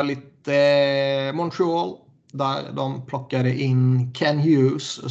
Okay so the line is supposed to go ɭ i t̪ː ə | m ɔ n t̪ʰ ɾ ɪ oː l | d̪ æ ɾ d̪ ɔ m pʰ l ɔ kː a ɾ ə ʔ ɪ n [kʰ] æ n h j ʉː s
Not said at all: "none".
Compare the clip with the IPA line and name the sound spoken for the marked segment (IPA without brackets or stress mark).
kʰ